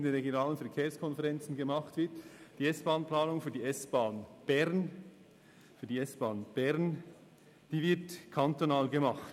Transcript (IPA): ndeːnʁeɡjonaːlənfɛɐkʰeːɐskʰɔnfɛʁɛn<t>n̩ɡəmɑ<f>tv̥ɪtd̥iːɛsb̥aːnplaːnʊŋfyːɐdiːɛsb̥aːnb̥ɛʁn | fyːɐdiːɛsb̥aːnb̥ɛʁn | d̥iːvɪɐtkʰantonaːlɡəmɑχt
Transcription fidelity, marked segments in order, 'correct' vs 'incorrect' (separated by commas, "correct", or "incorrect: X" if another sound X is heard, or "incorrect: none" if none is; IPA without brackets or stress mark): incorrect: t͡s, incorrect: χ